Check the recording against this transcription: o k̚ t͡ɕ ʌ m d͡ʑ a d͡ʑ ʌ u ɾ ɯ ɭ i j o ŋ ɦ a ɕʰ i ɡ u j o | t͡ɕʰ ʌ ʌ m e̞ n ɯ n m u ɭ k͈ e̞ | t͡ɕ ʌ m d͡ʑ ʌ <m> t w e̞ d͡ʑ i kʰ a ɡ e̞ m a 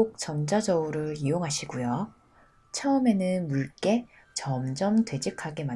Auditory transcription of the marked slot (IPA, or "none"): m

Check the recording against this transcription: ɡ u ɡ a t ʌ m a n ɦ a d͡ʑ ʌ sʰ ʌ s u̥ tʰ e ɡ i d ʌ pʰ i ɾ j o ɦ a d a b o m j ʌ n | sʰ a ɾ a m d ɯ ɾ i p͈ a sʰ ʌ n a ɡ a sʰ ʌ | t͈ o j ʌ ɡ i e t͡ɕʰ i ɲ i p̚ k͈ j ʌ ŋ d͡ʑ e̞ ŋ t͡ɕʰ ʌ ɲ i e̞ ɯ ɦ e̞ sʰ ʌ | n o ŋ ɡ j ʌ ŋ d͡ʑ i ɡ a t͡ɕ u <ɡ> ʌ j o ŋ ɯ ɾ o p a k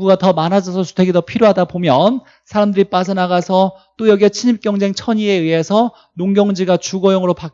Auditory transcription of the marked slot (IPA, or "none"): ɡ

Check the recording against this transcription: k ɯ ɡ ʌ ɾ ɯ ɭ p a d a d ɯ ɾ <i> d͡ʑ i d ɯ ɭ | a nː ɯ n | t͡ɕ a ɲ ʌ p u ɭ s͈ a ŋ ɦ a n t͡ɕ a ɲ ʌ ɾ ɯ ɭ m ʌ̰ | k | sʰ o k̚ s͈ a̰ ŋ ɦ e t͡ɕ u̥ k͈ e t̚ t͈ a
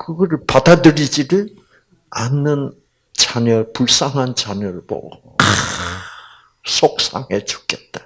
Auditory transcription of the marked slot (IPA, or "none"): i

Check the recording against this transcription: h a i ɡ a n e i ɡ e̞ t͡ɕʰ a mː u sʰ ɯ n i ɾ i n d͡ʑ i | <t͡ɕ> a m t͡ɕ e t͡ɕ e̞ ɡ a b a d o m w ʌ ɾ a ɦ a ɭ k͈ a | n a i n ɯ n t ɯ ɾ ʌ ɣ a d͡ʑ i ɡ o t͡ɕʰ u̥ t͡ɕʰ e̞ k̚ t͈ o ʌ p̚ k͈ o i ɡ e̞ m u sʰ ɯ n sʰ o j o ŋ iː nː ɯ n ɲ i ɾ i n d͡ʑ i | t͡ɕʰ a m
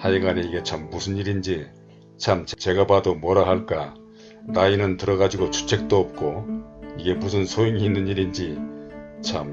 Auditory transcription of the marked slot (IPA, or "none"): t͡ɕʰ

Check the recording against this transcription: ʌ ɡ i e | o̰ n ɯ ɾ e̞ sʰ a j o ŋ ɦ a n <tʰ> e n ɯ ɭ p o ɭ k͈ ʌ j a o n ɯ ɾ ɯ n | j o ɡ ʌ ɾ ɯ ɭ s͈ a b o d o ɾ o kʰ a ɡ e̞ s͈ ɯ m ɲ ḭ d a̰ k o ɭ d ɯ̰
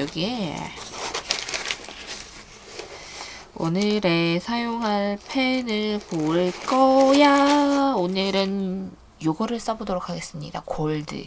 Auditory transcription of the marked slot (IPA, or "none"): pʰ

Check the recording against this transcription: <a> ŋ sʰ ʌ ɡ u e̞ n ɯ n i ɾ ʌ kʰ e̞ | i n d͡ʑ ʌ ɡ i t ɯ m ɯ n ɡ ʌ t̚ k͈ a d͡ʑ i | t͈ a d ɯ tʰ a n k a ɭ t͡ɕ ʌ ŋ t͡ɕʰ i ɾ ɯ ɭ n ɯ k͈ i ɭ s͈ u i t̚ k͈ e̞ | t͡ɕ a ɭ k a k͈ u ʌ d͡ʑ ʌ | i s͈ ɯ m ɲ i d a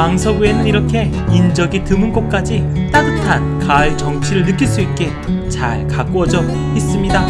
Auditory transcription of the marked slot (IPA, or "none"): a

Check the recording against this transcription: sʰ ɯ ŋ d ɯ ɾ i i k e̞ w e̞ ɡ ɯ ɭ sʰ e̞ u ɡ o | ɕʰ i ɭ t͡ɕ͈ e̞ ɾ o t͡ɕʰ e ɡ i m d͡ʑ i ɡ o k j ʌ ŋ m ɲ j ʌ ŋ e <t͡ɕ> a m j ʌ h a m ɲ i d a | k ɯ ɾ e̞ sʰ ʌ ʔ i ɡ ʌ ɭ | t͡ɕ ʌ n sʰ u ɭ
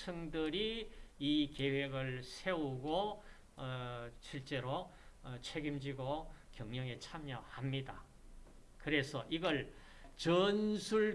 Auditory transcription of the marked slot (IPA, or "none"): t͡ɕʰ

